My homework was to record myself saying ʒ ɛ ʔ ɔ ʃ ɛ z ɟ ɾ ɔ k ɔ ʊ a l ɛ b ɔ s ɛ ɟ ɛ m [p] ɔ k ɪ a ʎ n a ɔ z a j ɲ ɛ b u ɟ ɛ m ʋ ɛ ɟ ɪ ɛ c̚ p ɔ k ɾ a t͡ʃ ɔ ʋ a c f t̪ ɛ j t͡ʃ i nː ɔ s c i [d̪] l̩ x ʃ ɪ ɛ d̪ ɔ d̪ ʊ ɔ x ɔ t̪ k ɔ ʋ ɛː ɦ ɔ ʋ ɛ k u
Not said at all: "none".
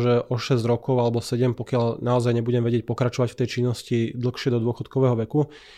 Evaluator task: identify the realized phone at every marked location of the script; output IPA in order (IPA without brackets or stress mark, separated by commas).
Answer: p, d̪